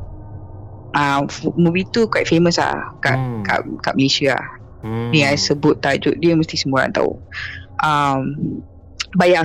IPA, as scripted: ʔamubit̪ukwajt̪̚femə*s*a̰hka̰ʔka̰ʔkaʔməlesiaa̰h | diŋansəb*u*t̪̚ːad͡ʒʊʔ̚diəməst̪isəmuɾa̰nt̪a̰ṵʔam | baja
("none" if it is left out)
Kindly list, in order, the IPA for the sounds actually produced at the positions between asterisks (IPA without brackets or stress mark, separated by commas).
s, ʊ